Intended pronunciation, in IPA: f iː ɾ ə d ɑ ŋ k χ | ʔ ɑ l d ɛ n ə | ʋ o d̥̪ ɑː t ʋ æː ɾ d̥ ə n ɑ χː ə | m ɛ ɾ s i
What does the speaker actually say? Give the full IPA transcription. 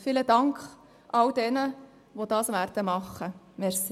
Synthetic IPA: f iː l ə d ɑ ŋ k χ | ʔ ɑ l d ɛ n ə | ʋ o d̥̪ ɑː s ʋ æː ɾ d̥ ə m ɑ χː ə | m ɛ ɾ s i